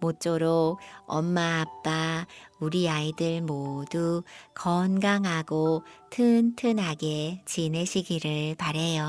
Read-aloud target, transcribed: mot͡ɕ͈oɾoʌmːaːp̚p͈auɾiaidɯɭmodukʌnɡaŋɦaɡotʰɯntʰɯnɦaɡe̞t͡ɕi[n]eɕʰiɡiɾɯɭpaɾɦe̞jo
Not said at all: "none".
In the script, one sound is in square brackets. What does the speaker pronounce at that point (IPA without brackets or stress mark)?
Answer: n